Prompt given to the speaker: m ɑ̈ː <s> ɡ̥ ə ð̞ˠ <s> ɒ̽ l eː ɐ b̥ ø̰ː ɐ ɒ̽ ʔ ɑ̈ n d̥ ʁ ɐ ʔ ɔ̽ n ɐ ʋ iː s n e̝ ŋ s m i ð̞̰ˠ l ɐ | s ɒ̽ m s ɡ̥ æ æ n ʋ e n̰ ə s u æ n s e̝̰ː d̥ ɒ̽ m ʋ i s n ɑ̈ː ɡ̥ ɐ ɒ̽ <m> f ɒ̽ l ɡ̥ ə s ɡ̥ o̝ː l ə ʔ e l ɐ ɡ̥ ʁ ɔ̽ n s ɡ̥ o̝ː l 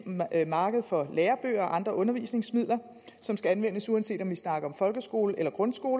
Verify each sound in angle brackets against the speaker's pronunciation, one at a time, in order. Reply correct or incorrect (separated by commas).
incorrect, incorrect, correct